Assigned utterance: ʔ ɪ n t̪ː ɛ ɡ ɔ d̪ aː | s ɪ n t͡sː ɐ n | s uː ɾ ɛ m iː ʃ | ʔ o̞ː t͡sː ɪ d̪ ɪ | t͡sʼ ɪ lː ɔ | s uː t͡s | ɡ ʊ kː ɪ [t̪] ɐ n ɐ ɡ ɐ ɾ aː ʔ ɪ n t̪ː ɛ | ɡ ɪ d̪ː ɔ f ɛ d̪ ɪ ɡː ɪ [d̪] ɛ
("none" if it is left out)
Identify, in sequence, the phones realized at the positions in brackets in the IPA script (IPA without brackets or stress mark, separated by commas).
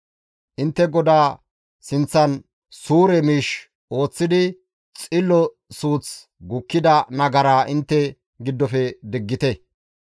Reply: d̪, t̪